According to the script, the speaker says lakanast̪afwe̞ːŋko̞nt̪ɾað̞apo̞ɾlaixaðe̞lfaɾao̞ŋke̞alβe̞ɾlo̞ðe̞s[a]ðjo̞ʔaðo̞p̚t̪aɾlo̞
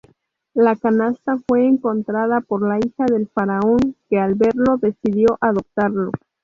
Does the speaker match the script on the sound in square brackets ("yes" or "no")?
no